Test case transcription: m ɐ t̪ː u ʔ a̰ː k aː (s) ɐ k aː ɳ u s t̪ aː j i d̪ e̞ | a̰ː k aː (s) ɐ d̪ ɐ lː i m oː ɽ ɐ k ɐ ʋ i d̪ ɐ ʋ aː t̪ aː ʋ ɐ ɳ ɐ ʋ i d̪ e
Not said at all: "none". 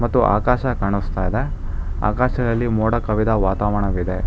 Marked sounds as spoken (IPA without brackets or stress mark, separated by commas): ʃ, ʃ